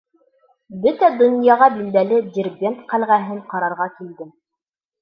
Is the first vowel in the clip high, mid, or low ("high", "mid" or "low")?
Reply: mid